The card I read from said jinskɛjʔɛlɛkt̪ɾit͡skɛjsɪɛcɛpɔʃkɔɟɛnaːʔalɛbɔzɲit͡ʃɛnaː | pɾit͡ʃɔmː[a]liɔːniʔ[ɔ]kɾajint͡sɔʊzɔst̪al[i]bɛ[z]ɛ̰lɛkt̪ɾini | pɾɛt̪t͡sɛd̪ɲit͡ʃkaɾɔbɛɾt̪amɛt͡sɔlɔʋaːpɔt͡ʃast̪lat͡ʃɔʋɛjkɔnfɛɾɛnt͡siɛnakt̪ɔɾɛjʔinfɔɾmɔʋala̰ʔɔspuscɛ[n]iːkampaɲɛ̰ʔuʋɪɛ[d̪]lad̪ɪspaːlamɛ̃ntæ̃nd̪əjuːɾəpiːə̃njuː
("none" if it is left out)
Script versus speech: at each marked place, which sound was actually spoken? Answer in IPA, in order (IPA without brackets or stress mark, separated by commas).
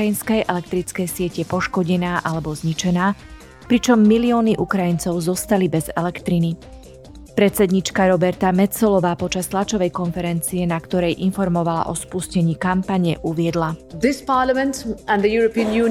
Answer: i, u, i, z, ɲ, d̪